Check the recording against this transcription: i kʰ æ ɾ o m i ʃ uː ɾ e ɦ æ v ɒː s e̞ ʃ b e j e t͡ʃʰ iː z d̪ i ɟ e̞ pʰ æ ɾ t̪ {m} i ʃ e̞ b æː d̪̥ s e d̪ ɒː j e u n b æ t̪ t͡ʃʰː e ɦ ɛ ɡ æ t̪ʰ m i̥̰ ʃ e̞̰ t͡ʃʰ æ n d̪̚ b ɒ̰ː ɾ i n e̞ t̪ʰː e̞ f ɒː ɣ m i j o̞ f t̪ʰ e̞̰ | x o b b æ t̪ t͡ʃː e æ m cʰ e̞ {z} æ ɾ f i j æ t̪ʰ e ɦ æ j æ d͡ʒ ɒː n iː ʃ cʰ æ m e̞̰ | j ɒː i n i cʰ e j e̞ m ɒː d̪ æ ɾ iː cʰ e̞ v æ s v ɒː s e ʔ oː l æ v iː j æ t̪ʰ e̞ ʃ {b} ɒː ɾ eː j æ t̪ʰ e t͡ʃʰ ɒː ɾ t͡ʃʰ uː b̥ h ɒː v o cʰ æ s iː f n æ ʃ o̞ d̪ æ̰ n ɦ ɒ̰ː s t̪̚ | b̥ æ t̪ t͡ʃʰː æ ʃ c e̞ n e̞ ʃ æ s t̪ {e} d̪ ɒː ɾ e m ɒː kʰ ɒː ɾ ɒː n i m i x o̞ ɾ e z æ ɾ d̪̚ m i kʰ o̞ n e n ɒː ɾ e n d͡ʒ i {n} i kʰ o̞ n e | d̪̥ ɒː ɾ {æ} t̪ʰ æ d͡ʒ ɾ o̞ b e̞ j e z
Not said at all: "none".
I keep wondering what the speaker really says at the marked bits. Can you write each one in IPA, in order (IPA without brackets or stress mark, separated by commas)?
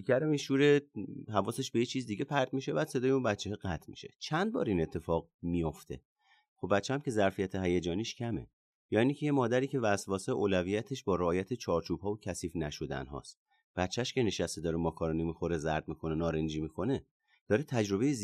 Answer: m, z, b, e, m, e